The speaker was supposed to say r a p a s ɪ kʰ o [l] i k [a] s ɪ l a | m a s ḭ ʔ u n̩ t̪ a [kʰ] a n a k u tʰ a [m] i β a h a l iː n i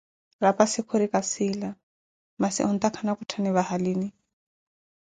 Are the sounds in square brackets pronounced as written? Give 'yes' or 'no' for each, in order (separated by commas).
no, yes, yes, no